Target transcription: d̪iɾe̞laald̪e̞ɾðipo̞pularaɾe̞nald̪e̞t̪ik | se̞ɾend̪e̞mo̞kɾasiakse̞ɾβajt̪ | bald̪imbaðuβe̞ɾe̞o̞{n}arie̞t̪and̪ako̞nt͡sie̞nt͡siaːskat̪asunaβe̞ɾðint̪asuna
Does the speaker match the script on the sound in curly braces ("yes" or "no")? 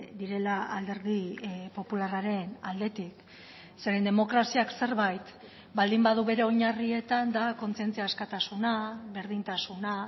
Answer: no